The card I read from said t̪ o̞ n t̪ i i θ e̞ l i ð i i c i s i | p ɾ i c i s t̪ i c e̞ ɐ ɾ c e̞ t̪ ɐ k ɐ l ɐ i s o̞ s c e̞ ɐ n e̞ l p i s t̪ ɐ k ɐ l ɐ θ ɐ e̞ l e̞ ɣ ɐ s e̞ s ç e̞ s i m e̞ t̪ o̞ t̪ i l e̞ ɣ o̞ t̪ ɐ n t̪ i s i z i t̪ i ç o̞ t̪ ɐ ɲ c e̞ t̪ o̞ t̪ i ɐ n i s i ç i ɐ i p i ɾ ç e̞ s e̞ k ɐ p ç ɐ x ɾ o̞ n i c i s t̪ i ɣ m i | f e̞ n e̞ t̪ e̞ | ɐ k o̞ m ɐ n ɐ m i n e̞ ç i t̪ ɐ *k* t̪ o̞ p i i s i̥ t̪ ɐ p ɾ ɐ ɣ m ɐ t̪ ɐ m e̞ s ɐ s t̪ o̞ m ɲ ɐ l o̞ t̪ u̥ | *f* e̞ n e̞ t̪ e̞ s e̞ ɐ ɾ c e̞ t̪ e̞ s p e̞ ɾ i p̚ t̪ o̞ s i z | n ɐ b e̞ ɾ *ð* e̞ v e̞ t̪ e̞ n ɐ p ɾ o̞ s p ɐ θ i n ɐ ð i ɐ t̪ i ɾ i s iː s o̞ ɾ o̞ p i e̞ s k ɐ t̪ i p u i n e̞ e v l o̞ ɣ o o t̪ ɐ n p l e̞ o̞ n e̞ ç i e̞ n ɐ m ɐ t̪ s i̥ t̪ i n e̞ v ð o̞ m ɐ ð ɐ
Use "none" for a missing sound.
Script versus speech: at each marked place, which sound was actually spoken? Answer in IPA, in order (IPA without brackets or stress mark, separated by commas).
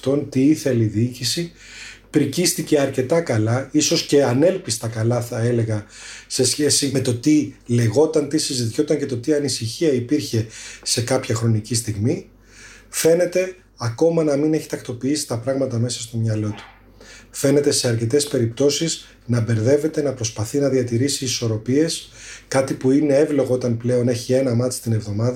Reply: k, f, ð